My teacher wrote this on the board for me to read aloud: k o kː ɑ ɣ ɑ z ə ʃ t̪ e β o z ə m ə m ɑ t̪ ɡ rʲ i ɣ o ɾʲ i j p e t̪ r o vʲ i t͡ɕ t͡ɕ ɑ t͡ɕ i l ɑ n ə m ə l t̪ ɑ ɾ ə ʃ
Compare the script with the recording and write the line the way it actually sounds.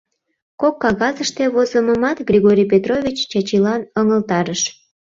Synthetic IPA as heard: k o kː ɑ ɣ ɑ z ə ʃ t̪ e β o z ə m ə m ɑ t̪ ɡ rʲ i ɣ o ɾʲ i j p e t̪ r o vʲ i t͡ɕ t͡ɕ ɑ t͡ɕ i l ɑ n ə ŋ ə l t̪ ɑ ɾ ə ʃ